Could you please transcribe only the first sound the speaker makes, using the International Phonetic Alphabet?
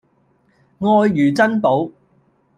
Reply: ŋ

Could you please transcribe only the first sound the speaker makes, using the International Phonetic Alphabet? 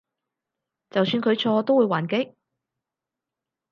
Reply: t͡s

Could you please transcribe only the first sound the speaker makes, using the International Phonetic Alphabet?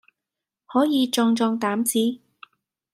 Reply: h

